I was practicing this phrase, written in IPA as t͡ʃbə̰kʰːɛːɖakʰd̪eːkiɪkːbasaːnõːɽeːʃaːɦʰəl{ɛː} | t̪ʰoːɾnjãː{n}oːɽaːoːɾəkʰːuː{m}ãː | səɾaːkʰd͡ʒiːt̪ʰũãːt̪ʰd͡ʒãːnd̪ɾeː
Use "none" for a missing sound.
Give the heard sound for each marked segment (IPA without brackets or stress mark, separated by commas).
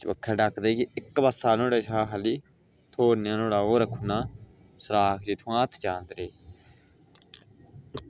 iː, n, n